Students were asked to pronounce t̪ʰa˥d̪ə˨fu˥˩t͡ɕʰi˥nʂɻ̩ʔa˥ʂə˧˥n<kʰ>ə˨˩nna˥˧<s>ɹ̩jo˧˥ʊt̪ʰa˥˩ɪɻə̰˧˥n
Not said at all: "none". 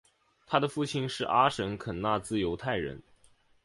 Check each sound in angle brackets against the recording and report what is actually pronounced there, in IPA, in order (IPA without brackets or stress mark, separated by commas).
kʰ, t͡s